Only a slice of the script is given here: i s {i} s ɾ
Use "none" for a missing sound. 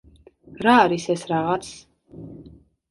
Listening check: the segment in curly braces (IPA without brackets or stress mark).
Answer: ɛ